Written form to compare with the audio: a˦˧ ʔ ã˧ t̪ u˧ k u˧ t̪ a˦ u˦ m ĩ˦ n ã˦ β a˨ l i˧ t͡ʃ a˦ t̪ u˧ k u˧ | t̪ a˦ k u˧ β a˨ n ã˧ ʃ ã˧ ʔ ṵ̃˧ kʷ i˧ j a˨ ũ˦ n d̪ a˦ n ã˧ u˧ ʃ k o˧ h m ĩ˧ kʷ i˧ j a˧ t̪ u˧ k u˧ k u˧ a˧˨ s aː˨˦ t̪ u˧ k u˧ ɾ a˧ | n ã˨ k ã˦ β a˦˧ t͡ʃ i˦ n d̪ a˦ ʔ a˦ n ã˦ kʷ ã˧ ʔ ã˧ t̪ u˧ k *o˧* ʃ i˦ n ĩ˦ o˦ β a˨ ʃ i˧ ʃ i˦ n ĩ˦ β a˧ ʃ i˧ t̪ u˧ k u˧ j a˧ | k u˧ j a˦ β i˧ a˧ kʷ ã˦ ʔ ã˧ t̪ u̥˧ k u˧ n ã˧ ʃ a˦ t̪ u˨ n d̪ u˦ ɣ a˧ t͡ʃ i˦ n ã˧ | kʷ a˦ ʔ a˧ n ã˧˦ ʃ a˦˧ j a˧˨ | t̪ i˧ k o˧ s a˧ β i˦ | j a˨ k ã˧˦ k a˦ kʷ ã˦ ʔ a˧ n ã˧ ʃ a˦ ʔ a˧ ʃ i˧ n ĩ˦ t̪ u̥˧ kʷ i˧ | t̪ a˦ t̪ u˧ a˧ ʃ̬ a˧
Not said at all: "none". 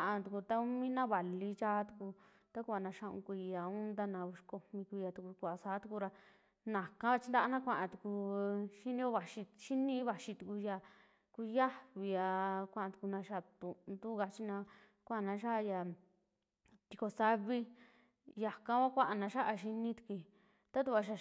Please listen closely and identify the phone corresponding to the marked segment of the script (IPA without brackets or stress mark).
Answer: u˧